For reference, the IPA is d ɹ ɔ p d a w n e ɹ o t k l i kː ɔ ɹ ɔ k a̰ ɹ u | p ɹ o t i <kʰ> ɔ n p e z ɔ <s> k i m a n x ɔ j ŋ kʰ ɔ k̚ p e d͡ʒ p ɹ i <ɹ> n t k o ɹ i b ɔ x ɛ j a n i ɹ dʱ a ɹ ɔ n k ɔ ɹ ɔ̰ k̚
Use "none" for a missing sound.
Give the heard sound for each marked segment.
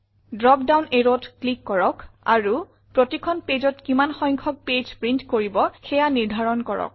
kʰ, t, none

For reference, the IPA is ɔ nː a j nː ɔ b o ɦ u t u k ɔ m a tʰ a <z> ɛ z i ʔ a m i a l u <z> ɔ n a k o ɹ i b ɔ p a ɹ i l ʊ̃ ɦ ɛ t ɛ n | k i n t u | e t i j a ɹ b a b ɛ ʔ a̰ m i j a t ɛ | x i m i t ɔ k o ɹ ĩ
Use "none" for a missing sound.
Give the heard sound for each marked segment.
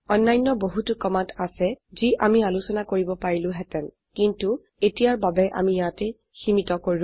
s, s

